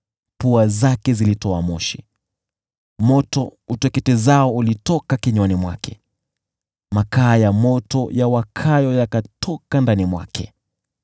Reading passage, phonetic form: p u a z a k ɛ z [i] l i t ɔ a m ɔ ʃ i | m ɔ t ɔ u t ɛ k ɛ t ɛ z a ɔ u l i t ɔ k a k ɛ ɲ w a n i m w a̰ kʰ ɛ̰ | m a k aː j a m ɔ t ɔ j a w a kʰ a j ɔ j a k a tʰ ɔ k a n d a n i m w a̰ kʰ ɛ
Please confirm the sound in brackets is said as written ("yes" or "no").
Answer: yes